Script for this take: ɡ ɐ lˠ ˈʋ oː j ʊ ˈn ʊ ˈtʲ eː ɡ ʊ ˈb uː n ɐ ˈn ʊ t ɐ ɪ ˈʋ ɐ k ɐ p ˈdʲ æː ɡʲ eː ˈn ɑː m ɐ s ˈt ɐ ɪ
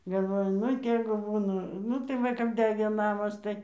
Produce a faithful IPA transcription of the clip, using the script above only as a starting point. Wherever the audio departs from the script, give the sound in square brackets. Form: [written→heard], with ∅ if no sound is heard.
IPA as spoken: ɡ ɐ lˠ ˈʋ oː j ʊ ˈn ʊ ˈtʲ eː ɡ ʊ ˈb uː n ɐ ˈn ʊ t ɐ ɪ ˈʋ ɐ k ɐ p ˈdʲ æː ɡʲ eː ˈn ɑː m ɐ s ˈt ɐ ɪ